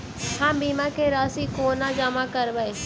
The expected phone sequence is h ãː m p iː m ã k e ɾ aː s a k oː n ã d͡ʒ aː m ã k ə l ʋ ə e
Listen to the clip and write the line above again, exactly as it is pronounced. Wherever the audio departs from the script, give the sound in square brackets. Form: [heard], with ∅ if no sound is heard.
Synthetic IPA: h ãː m [b] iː m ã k e ɾ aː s [i] k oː n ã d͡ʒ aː m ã k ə [ɾ] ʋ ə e

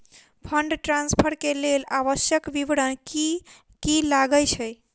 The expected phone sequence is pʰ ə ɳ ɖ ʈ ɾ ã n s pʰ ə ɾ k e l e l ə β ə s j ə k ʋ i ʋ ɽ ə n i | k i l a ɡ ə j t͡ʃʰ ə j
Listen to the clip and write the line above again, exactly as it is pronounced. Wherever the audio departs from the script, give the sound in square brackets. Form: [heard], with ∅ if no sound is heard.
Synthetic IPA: pʰ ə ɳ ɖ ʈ ɾ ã n s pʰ ə ɾ k e l e l [a] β ə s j ə k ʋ i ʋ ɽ ə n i | k i l a ɡ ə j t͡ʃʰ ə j

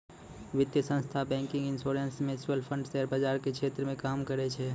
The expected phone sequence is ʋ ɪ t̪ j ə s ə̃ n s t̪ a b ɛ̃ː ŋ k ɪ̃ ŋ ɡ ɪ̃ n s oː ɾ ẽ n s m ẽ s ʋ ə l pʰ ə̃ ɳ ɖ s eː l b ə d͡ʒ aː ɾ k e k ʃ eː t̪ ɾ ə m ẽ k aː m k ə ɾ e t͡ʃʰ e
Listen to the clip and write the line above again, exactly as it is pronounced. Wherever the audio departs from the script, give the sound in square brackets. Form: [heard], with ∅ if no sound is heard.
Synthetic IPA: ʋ ɪ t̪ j ə s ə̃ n s [t̪ʰ] a b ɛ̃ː ŋ k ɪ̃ ŋ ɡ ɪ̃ n s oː ɾ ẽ n s m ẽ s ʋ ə l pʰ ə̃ ɳ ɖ s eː [ɾ] b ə d͡ʒ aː ɾ k e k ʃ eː t̪ ɾ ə m ẽ k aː m k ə ɾ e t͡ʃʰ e

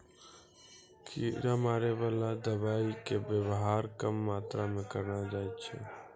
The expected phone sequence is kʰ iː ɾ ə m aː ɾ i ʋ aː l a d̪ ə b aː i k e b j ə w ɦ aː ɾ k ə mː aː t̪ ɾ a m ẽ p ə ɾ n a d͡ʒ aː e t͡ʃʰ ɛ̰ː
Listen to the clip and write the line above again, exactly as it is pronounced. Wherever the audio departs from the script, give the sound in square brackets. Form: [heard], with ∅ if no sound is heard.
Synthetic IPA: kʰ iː ɾ [a] m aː ɾ [e] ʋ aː l a d̪ ə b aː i k e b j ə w ɦ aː ɾ k ə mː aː t̪ ɾ a m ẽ [k] ə ɾ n a d͡ʒ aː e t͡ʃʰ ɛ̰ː

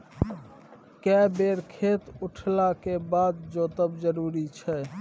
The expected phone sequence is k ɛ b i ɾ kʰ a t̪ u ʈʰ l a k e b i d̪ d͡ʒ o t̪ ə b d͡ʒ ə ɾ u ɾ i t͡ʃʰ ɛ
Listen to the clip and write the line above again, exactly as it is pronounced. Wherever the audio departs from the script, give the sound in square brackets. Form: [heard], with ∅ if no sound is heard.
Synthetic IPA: k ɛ b [e] ɾ kʰ [e] t̪ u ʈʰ l a k e b [a] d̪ d͡ʒ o t̪ ə b d͡ʒ ə ɾ u ɾ i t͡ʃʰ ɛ

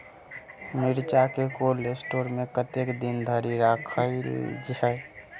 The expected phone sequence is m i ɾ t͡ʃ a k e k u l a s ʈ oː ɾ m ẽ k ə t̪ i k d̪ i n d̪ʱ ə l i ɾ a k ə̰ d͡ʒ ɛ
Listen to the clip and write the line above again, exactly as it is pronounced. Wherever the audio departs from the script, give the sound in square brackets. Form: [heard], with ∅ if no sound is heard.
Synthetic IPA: m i ɾ t͡ʃ a k e k [o] l [e] s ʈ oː ɾ m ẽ k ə t̪ [e] k d̪ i n d̪ʱ ə [ɾ] i ɾ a [kʰ] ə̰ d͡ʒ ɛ

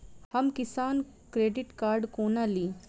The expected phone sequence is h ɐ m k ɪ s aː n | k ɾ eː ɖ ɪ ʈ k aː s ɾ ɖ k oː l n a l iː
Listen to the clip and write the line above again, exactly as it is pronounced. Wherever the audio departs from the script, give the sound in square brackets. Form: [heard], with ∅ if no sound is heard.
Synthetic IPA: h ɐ m k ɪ s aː n | k ɾ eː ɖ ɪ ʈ k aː [∅] ɾ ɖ k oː [∅] n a l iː

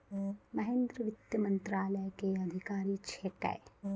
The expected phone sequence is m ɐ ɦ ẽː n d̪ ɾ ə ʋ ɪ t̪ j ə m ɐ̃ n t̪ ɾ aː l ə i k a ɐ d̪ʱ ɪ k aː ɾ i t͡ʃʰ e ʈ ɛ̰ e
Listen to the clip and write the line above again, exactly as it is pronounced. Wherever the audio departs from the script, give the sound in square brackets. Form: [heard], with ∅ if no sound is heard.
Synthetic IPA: m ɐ ɦ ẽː n d̪ ɾ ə ʋ ɪ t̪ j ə m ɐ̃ n t̪ ɾ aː l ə [j] k [e] ɐ d̪ʱ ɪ k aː ɾ i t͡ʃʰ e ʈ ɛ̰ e

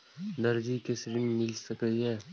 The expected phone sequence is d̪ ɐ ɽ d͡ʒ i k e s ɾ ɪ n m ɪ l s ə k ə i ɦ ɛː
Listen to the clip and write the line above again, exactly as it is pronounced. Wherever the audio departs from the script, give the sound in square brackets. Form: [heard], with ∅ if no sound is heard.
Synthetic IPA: d̪ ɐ [ɾ] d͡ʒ i k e s ɾ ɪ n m ɪ l s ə k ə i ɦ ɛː

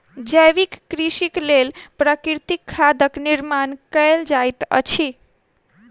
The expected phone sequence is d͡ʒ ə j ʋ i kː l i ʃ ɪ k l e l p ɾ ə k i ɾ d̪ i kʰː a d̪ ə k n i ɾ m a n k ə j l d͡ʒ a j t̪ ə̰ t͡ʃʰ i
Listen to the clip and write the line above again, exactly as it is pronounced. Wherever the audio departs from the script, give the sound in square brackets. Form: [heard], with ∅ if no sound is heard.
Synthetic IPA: d͡ʒ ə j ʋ i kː [ɾ] i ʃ [i] k l e l p ɾ ə k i ɾ [t̪] i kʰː a d̪ ə k n i ɾ m a n k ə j l d͡ʒ a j t̪ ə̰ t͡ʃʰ i

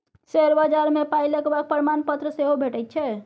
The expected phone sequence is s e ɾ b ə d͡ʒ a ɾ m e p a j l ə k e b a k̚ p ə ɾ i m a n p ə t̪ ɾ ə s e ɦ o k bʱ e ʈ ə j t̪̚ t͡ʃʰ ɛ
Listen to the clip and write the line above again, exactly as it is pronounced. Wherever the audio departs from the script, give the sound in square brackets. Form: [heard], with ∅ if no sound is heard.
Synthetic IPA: s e ɾ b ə d͡ʒ a ɾ m e p a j l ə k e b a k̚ p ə ɾ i m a n p ə t̪ ɾ ə s e ɦ o [∅] bʱ e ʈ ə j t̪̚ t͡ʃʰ ɛ

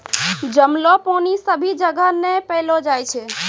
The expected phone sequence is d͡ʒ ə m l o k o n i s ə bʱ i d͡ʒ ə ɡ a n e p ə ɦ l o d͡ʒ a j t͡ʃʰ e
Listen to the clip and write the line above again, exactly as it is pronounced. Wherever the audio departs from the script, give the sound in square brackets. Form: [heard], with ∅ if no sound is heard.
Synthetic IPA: d͡ʒ ə m l o [p] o n i s ə bʱ i d͡ʒ ə ɡ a n e p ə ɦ l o d͡ʒ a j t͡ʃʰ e

